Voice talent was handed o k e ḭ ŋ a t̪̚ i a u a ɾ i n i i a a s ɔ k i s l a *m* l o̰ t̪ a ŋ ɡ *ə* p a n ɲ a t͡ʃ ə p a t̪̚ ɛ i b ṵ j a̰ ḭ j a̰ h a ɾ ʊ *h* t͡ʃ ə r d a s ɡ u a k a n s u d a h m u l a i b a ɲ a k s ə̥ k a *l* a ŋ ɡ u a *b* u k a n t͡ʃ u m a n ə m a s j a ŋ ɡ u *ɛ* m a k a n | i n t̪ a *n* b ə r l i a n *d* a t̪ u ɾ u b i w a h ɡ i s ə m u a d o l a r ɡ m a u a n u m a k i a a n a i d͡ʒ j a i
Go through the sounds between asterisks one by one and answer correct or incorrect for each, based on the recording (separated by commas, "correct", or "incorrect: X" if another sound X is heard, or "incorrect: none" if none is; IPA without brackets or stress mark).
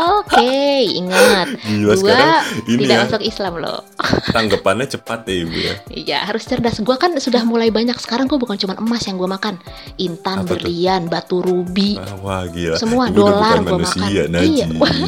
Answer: correct, correct, incorrect: s, incorrect: ɾ, correct, incorrect: a, correct, incorrect: b